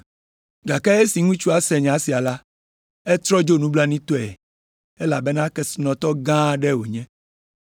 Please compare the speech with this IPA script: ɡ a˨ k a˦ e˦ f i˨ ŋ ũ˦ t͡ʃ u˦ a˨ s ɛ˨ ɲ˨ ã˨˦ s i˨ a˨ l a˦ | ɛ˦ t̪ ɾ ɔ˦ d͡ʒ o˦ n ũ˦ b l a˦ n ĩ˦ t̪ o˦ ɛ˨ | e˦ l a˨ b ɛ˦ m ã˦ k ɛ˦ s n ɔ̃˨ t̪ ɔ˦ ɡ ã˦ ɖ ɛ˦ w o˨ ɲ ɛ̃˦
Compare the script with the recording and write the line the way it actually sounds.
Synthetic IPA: ɡ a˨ k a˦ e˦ s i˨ ŋ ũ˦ t͡ʃ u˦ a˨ s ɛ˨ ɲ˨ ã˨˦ s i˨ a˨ l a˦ | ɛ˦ t̪ ɾ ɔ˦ d͡ʒ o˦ n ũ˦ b l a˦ n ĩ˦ t̪ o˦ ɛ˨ | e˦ l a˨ b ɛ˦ n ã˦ k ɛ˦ s n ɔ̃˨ t̪ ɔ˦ ɡ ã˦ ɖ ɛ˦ w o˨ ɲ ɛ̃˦